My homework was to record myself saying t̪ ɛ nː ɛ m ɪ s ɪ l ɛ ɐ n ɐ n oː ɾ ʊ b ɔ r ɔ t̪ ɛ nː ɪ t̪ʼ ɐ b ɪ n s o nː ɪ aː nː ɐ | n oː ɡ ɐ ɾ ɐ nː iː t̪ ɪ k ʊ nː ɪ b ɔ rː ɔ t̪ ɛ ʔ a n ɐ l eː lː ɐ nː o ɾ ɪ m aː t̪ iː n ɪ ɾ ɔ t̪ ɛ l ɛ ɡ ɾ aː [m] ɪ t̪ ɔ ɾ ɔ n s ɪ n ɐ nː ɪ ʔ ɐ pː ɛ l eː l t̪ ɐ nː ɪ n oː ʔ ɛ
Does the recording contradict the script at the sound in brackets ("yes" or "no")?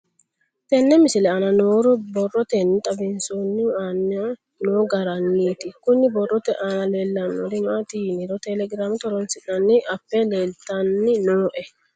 no